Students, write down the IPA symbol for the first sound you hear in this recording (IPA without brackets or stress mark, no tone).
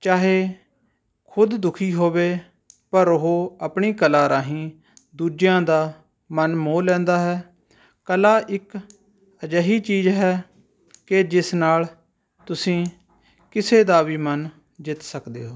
t͡ʃ